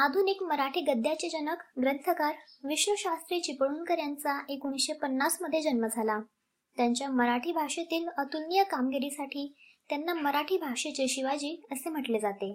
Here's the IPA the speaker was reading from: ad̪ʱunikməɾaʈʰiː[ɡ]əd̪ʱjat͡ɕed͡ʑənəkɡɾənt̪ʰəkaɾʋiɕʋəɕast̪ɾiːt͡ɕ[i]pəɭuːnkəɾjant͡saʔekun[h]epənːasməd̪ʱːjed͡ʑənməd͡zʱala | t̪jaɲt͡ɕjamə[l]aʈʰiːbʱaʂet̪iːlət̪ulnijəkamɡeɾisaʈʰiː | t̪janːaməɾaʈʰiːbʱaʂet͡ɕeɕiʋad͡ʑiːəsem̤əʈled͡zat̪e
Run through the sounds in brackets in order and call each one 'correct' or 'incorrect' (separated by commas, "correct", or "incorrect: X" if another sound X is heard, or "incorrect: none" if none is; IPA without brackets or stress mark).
correct, correct, incorrect: ɕ, incorrect: ɾ